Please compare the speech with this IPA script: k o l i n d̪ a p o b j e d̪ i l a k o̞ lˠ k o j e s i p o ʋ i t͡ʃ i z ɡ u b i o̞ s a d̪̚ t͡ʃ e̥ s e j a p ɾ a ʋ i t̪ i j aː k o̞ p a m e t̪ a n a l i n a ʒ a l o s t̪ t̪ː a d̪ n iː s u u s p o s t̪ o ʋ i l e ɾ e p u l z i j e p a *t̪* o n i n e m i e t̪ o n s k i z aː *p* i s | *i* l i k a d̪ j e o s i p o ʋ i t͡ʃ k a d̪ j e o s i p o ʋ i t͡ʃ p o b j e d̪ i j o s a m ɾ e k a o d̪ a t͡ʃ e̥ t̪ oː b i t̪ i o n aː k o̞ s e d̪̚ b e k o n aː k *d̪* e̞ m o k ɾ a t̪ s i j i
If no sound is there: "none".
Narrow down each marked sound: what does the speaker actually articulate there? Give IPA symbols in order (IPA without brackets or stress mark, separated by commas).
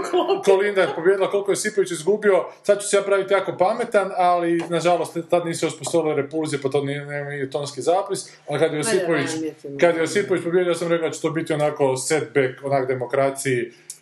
t̪, p, a, d̪